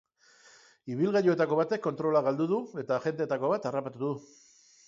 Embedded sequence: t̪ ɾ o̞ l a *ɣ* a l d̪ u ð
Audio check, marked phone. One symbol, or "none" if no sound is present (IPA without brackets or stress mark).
ɣ